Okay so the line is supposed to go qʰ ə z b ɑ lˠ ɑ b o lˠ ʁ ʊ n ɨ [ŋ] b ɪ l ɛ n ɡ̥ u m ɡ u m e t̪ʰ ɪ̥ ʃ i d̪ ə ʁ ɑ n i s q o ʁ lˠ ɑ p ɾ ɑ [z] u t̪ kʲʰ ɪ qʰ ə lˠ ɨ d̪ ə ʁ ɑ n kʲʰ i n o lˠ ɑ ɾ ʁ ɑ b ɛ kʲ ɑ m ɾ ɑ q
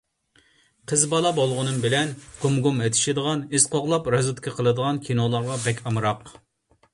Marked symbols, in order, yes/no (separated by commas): no, yes